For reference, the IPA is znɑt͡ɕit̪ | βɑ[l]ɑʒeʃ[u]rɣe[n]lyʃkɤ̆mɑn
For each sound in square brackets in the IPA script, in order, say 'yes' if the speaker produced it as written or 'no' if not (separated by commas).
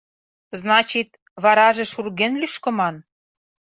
no, yes, yes